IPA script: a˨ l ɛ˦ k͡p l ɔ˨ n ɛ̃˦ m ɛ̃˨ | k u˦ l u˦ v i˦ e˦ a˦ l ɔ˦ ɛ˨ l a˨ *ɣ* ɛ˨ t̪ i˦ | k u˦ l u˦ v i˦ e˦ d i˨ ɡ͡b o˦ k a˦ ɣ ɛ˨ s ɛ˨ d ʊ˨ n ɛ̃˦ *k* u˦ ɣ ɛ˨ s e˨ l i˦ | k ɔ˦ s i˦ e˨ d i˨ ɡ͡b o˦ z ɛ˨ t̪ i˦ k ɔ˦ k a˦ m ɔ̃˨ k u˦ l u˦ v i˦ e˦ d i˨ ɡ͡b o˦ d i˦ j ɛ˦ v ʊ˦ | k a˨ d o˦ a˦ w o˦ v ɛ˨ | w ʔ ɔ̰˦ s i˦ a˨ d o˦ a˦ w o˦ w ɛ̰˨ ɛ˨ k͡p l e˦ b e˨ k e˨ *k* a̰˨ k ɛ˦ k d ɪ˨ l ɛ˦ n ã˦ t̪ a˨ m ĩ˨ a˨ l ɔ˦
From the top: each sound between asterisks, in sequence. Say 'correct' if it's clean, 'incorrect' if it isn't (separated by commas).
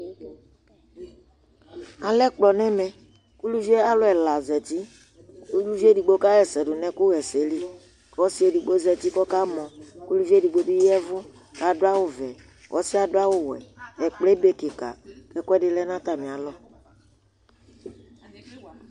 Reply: incorrect, correct, correct